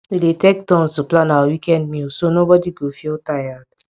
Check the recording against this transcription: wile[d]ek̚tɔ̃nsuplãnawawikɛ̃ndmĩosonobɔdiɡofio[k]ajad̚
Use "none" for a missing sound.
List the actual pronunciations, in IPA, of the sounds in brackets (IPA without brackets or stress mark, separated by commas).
t, t